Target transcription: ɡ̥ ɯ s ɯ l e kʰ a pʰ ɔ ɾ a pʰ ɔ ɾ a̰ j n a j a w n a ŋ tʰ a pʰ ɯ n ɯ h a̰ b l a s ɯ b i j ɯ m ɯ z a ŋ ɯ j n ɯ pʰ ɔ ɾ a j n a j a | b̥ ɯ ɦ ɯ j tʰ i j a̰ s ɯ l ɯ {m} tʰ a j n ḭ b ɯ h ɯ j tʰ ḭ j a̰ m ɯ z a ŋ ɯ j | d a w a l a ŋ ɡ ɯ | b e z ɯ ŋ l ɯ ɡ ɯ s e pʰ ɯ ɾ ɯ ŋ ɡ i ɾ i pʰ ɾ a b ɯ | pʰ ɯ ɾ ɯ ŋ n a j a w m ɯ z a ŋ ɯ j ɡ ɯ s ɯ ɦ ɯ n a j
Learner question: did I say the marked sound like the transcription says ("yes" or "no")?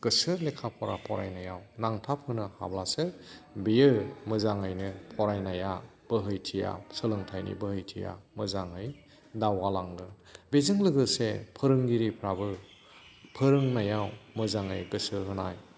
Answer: no